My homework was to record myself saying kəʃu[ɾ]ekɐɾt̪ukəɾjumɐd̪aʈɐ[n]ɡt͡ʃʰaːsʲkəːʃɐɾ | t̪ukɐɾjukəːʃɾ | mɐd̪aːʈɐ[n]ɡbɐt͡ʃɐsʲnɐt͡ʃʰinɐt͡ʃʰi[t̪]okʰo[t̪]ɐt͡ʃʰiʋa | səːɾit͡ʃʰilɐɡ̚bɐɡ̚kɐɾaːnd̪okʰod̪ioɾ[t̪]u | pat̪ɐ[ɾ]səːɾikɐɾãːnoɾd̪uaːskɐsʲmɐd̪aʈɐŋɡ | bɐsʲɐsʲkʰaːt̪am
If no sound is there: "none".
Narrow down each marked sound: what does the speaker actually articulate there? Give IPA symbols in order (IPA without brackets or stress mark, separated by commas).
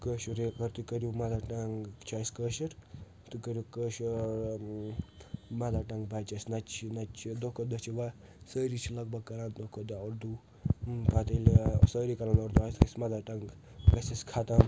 ɾ, ŋ, ŋ, d̪, d̪, d̪, l